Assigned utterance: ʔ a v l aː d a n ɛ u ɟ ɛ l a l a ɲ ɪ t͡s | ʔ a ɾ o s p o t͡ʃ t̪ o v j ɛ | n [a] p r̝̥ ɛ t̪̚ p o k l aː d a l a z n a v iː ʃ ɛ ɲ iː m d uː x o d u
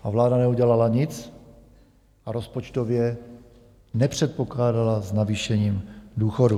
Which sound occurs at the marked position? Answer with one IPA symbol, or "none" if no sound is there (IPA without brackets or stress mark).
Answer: ɛ